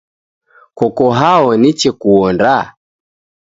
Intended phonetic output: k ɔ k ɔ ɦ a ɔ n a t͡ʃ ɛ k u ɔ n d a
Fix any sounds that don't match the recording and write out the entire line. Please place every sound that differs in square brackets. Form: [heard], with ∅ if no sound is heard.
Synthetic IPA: k ɔ k ɔ ɦ a ɔ n [i] t͡ʃ ɛ k u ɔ n d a